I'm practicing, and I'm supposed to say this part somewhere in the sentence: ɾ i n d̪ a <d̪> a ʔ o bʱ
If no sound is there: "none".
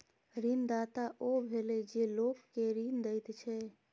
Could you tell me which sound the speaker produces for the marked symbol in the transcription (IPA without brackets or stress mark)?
t̪